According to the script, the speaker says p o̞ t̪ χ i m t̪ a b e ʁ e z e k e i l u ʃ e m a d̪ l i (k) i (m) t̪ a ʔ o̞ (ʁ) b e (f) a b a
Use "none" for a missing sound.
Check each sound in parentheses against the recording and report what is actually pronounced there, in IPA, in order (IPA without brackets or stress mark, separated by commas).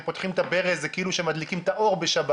k, m, ʁ, ʃ